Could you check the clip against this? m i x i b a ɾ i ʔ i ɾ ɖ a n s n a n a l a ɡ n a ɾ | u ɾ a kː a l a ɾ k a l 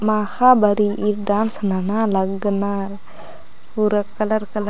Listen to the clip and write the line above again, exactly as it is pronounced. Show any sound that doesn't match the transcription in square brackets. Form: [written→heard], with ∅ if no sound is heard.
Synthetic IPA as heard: m [i→a] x [i→a] b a ɾ i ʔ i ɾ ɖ a n s n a n a l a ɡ n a ɾ | u ɾ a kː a l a ɾ k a l